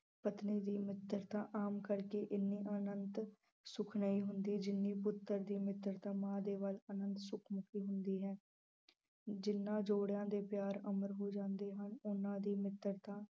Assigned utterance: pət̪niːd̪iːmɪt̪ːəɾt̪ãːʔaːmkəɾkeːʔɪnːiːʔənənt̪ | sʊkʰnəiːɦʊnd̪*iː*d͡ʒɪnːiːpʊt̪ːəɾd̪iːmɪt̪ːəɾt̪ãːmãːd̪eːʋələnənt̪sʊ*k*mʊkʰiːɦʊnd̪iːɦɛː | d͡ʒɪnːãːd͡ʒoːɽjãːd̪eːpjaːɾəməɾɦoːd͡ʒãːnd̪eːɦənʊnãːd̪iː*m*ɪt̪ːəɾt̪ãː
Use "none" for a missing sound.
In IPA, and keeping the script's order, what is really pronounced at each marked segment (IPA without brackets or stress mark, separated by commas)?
iː, kʰ, m